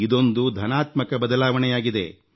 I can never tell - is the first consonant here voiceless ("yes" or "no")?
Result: no